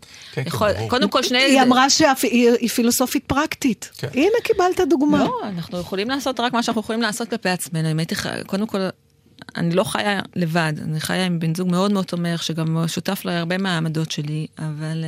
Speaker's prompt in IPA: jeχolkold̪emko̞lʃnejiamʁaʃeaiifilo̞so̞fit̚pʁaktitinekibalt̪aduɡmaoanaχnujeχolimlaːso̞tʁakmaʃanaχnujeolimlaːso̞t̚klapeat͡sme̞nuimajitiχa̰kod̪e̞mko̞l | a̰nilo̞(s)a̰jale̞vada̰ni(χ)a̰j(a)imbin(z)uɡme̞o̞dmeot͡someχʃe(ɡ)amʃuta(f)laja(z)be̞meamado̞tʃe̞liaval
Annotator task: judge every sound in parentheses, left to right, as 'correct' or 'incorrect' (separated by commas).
incorrect, correct, correct, correct, correct, correct, incorrect